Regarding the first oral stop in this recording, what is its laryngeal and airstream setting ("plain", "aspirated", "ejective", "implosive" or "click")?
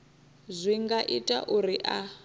plain